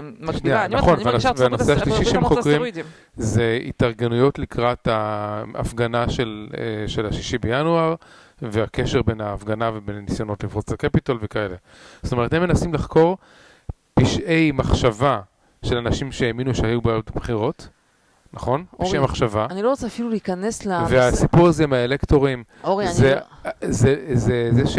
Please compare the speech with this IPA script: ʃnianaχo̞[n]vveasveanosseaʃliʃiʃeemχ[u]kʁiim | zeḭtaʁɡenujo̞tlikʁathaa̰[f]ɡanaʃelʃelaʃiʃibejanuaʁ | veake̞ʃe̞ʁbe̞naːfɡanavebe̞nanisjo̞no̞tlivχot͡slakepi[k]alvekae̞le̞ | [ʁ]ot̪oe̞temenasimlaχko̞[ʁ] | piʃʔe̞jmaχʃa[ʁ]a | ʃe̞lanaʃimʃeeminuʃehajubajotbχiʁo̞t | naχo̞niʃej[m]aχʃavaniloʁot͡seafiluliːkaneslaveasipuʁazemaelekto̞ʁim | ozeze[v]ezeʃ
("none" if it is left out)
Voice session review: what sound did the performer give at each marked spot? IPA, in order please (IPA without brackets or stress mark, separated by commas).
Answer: n, o, f, t, z, ʁ, v, m, z